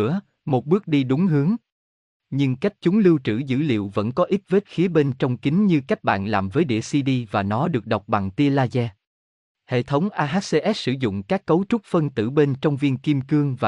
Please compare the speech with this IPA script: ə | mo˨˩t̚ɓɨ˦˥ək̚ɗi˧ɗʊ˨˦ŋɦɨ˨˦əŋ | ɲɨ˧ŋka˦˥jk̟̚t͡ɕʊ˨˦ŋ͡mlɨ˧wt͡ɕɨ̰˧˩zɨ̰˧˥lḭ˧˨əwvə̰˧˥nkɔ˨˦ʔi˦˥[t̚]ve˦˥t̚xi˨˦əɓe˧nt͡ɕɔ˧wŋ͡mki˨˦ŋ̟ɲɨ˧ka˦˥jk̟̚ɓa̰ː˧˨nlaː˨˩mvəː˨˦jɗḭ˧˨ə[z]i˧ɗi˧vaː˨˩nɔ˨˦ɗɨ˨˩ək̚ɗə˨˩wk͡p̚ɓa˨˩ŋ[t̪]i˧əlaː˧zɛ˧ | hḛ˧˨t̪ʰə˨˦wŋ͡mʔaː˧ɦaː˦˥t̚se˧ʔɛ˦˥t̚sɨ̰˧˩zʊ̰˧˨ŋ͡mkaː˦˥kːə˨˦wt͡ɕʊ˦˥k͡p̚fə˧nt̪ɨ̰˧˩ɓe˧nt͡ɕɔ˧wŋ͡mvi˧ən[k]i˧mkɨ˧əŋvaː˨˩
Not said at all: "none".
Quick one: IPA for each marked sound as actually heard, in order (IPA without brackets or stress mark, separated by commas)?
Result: t̚, s, t̪, k